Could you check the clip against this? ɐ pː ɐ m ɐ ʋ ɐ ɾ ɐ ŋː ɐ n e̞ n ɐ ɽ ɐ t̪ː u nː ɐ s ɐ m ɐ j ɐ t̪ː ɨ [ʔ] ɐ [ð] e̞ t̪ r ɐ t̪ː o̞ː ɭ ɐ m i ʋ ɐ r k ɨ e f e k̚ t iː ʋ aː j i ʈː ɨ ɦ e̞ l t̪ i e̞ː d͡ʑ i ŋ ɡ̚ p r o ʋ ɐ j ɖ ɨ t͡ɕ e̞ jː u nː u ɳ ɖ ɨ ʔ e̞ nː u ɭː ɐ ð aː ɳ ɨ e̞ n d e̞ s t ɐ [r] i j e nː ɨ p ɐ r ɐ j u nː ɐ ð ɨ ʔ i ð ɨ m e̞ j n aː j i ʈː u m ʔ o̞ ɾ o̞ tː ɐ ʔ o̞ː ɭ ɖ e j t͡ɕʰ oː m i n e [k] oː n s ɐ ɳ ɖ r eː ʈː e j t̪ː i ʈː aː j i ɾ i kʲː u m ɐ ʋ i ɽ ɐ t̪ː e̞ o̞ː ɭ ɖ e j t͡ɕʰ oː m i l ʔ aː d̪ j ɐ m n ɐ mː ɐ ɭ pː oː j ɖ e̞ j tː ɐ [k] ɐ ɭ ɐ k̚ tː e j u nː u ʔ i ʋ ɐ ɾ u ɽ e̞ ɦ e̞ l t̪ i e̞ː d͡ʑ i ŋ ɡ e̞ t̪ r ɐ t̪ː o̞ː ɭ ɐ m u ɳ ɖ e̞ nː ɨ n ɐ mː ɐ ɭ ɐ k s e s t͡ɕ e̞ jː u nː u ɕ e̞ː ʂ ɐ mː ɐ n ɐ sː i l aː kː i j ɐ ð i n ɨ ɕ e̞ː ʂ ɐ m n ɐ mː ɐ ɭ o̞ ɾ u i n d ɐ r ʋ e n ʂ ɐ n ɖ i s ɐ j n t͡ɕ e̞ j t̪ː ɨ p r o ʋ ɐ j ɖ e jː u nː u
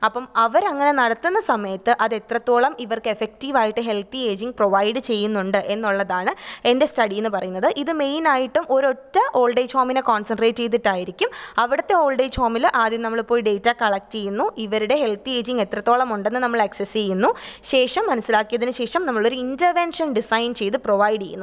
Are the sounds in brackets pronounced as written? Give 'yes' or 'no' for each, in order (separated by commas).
yes, yes, no, yes, yes